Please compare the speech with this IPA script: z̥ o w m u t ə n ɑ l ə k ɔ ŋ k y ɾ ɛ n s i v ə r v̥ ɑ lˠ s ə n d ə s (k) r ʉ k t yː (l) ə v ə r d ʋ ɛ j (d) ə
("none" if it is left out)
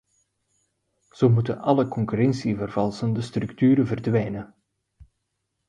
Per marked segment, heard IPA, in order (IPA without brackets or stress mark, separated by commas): t, ɾ, n